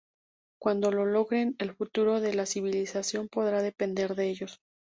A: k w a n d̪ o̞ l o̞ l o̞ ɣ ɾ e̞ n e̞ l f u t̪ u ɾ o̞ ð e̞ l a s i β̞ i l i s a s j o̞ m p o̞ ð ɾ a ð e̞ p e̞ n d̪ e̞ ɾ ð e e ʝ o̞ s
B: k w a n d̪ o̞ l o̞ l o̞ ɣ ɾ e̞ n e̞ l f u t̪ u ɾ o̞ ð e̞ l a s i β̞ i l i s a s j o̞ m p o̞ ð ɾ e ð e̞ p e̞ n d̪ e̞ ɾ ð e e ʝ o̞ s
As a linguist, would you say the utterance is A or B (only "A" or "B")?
A